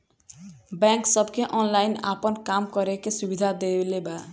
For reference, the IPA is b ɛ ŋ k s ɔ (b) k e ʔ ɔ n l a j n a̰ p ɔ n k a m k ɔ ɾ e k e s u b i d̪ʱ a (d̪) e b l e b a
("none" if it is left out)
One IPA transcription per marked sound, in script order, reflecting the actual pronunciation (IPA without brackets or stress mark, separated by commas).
b, d̪